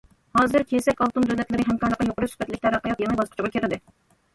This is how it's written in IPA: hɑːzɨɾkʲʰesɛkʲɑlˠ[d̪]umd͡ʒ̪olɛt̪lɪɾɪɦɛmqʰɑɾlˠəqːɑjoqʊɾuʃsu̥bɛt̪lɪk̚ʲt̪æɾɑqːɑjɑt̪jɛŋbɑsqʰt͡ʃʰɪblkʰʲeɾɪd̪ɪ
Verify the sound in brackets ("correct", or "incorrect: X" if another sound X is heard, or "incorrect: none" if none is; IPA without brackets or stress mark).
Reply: incorrect: t̪